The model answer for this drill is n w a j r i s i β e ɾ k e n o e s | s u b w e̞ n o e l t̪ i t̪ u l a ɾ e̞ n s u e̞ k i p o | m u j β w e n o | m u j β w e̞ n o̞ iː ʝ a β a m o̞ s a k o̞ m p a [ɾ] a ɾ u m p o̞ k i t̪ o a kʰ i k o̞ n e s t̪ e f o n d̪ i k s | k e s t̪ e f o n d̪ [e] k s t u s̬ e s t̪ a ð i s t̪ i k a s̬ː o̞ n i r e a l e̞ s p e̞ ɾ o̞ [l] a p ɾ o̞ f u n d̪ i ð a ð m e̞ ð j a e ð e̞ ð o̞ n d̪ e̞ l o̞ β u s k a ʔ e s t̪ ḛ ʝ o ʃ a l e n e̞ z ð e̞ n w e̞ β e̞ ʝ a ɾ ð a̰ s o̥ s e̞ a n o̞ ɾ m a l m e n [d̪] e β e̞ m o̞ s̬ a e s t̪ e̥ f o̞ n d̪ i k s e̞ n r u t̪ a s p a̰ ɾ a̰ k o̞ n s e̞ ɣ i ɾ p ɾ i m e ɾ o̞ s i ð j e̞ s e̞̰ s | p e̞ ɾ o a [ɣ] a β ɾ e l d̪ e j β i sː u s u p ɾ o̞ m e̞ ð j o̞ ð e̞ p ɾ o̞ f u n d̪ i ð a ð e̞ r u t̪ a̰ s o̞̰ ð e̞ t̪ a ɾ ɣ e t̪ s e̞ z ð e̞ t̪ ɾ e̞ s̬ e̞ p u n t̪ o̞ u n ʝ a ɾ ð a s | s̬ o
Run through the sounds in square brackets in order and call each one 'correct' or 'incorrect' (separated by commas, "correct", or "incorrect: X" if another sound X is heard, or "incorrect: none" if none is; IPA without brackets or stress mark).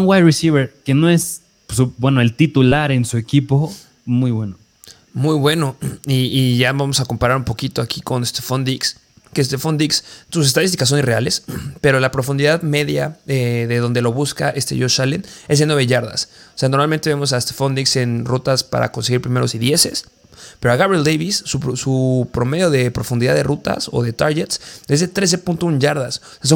correct, incorrect: i, correct, incorrect: t̪, correct